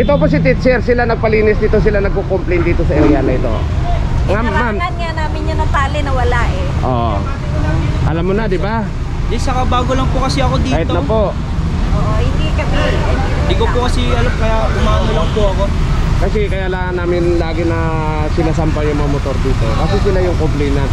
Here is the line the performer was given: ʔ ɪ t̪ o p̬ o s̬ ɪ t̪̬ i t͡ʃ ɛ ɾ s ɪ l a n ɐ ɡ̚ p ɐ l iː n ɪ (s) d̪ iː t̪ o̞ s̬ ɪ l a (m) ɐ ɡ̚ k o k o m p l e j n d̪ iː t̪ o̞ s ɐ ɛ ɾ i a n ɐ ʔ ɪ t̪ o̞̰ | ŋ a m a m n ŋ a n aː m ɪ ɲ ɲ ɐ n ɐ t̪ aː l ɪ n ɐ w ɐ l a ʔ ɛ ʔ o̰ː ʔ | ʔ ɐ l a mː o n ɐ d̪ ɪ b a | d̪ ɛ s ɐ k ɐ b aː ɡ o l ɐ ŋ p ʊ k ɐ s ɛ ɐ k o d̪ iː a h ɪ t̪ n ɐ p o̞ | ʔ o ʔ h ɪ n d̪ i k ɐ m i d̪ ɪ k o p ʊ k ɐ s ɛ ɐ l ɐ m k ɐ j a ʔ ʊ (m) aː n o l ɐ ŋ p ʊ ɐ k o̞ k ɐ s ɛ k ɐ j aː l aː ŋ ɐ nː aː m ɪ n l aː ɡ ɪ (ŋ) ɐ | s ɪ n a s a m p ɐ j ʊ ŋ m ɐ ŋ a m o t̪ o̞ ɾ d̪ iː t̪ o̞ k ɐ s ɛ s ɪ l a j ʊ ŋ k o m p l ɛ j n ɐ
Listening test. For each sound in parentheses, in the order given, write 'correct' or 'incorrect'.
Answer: correct, incorrect: n, correct, incorrect: n

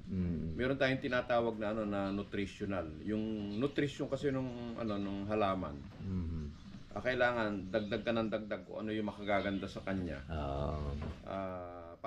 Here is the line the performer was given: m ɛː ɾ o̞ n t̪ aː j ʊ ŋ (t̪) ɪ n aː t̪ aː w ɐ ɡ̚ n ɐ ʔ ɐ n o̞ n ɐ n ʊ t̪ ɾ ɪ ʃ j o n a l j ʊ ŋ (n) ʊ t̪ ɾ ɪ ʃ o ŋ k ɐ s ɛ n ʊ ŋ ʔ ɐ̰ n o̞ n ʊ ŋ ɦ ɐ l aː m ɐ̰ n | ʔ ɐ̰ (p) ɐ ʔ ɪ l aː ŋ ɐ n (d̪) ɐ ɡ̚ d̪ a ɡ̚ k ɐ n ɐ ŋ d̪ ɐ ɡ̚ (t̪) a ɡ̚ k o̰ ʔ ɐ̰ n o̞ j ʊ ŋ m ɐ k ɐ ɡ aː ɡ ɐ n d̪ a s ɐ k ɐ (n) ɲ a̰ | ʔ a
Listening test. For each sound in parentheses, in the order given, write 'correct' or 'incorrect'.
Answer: correct, correct, incorrect: k, correct, incorrect: d̪, incorrect: ɲ

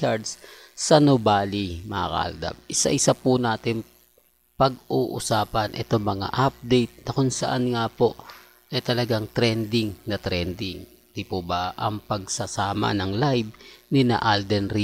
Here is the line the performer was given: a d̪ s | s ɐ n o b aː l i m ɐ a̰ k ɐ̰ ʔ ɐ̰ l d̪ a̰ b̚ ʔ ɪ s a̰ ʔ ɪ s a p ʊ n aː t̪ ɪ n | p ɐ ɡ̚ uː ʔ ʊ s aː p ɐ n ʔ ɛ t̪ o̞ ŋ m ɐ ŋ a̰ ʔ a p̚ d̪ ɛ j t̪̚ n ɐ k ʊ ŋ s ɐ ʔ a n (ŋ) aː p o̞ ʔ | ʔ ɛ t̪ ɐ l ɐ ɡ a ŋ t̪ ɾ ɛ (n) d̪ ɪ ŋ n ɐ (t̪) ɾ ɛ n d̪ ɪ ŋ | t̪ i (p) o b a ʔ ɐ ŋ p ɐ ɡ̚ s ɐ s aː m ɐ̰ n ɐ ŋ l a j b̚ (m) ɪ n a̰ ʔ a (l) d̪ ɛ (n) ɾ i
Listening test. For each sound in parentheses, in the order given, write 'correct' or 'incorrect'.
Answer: correct, correct, correct, correct, incorrect: n, correct, correct

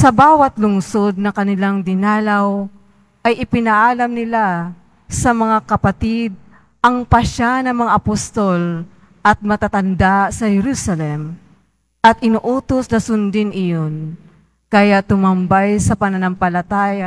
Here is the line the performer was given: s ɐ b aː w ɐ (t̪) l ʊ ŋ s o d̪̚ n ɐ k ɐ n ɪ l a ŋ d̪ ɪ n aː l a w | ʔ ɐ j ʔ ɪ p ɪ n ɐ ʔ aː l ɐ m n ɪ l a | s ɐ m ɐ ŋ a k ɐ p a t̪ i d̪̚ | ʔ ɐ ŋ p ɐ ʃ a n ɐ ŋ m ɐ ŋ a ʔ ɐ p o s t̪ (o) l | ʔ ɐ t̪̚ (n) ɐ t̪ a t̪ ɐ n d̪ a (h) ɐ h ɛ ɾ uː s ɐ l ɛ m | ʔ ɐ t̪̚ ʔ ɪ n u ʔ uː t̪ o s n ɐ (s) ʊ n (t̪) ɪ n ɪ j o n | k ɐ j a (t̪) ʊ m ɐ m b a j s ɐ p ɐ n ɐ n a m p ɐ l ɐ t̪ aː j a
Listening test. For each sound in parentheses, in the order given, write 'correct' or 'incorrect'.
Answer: correct, correct, incorrect: m, incorrect: s, correct, incorrect: d̪, correct

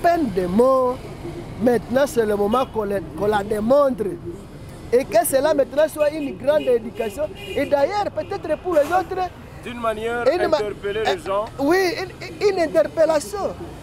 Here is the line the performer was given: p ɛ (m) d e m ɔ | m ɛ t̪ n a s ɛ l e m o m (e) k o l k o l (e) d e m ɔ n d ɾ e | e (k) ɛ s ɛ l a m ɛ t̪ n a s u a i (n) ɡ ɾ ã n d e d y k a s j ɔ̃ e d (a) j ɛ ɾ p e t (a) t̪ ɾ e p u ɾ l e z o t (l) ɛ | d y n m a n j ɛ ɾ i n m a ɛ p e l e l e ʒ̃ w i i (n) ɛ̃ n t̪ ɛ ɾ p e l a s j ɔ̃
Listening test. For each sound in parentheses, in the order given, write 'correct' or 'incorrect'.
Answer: incorrect: n, incorrect: a, incorrect: a, correct, correct, correct, incorrect: ɛ, incorrect: ɾ, correct

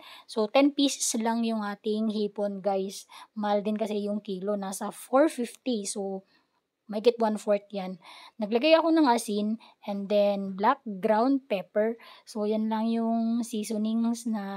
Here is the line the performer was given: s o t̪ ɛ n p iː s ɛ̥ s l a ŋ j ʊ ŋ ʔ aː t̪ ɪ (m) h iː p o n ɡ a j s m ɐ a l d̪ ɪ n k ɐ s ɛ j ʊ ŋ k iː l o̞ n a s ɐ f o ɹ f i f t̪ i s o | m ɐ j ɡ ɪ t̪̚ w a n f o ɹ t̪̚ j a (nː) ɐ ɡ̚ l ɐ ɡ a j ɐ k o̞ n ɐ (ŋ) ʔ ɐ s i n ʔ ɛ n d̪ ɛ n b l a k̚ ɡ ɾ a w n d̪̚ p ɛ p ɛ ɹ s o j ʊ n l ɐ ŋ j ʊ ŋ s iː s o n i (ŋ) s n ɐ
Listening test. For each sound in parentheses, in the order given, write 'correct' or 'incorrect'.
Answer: incorrect: ŋ, correct, correct, correct

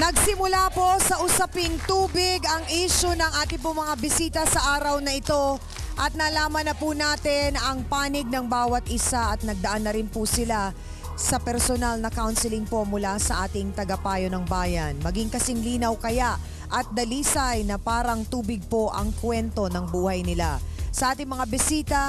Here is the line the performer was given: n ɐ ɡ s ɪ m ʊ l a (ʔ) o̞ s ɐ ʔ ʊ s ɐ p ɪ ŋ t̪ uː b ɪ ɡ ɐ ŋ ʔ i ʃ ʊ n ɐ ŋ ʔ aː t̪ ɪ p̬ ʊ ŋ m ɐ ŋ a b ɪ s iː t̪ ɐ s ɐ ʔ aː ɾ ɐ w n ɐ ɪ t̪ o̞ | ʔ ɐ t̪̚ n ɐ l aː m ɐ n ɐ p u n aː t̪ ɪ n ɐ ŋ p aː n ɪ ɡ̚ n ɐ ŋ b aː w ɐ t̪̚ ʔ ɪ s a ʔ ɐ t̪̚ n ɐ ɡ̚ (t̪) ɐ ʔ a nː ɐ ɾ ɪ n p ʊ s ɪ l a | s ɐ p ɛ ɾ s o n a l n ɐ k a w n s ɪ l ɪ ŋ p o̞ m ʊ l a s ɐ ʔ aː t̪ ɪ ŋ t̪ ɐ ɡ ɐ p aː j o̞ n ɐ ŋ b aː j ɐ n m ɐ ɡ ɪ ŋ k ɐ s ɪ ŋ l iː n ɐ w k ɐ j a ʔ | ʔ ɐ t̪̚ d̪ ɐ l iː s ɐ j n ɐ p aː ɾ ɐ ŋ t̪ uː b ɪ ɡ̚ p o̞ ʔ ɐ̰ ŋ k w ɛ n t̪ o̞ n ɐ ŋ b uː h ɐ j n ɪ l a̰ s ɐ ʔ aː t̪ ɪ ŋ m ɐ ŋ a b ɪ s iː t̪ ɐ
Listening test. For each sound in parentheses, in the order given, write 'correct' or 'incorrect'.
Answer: incorrect: p, incorrect: d̪

